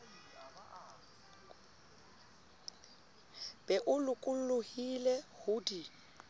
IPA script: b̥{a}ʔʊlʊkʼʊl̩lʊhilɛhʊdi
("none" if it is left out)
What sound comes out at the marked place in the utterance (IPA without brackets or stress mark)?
ɛ